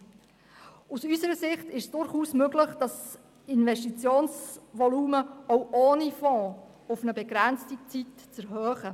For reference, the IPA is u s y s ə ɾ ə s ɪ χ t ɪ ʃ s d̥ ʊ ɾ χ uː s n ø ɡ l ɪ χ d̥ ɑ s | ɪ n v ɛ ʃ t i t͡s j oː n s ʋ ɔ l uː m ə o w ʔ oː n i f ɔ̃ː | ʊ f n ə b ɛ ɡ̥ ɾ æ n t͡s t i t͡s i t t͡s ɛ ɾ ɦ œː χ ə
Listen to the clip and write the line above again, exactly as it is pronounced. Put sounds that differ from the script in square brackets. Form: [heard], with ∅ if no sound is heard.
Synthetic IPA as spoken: u s y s ə ɾ ə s ɪ χ t ɪ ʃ s d̥ ʊ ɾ χ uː s [m] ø ɡ l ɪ χ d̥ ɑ s | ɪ n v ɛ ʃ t i t͡s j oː n s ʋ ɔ l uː m ə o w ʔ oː n i f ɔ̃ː | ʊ f n ə b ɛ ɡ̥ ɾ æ n t͡s t i t͡s i t t͡s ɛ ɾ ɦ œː χ ə